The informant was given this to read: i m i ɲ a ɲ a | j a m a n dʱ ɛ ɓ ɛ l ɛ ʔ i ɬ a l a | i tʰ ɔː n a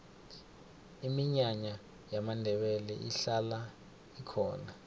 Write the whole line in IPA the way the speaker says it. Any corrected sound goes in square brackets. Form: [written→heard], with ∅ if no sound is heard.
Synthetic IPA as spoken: i m i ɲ a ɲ a | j a m a n dʱ ɛ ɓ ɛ l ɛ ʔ i ɬ a l a | i [tʰ→kʰ] ɔː n a